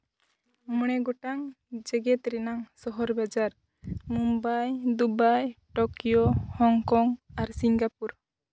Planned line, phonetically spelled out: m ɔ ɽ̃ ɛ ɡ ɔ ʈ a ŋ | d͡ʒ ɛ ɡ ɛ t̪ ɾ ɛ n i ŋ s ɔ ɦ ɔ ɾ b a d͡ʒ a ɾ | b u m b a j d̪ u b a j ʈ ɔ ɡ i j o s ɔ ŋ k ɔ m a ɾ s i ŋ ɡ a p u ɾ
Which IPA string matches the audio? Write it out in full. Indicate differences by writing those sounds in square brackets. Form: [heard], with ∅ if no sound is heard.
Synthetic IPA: m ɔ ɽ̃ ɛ ɡ ɔ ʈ a ŋ | d͡ʒ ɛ ɡ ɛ t̪ ɾ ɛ n [a] ŋ s ɔ ɦ ɔ ɾ b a d͡ʒ a ɾ | [m] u m b a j d̪ u b a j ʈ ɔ [k] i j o [h] ɔ ŋ k ɔ [ŋ] a ɾ s i ŋ ɡ a p u ɾ